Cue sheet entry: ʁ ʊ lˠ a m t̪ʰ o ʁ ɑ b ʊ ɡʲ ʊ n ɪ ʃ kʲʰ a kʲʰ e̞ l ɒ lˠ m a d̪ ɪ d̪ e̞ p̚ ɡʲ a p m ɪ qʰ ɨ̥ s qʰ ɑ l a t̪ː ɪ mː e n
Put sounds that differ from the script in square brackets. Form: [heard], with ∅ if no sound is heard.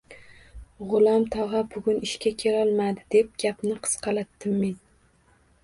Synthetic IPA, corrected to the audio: ʁ ʊ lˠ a m t̪ʰ [ɒ] ʁ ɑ b ʊ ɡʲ ʊ n ɪ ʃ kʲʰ a kʲʰ e̞ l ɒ lˠ m a d̪ ɪ d̪ e̞ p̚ ɡʲ a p [n] ɪ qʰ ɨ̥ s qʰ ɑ l a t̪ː ɪ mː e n

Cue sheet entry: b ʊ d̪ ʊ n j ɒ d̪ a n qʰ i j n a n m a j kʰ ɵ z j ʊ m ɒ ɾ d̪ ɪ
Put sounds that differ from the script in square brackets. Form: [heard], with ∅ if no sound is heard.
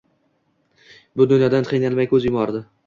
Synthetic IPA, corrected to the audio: b ʊ d̪ ʊ n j ɒ d̪ a n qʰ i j n a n m a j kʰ ɵ z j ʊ m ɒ ɾ d̪ ɪ

